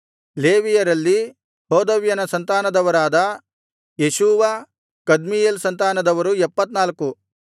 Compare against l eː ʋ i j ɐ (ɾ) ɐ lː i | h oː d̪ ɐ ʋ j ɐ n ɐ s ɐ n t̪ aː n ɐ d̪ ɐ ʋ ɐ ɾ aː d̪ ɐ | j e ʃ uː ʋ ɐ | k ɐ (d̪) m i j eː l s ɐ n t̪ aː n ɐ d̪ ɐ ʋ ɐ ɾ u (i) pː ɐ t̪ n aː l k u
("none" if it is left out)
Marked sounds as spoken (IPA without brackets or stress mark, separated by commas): ɾ, d̪, ɛ